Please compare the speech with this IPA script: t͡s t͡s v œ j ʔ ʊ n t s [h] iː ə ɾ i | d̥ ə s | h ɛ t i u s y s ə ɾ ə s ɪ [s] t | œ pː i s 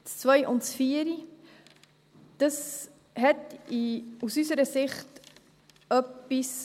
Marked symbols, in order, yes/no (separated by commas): no, no